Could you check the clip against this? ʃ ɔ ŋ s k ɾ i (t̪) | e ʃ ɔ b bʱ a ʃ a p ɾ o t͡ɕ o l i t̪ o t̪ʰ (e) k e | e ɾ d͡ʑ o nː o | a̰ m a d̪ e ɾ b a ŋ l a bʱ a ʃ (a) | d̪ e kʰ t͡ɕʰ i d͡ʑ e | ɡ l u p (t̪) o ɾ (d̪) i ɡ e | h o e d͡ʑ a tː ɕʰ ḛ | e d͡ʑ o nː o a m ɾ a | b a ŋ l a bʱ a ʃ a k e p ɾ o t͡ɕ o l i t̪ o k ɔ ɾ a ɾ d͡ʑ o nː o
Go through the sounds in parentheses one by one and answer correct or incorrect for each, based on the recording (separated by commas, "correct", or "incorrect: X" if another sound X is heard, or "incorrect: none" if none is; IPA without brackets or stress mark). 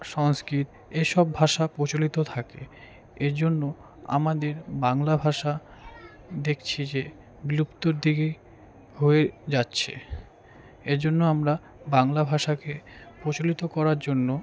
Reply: correct, incorrect: a, correct, correct, correct